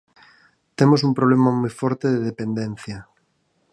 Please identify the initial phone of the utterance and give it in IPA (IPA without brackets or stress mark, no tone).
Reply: t̪